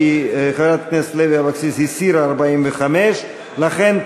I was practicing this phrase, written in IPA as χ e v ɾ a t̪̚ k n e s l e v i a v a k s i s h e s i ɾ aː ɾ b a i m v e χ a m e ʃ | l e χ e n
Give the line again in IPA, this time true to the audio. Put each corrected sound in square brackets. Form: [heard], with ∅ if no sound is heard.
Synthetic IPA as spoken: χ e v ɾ a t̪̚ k n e s l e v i a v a k s i s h [i] s i ɾ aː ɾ b a i m v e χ a m e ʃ | l [a] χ e n